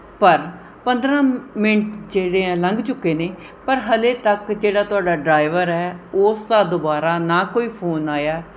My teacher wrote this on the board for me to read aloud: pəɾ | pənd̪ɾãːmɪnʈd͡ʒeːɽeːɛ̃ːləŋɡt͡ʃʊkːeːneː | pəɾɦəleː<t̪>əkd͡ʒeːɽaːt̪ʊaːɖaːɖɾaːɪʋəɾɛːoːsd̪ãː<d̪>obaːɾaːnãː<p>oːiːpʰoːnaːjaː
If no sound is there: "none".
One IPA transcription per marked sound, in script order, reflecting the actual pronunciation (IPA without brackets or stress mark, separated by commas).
t̪, d̪, k